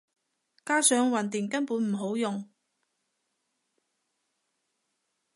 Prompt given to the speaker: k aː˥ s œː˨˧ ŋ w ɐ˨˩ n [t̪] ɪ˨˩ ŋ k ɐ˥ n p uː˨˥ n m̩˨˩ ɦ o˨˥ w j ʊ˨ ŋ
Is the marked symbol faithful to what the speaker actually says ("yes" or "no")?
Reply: yes